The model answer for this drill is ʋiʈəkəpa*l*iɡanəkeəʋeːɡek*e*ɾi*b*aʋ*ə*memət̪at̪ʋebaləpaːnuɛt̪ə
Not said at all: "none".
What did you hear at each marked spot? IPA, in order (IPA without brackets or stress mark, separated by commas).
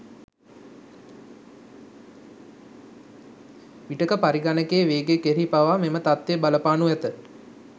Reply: ɾ, e, p, a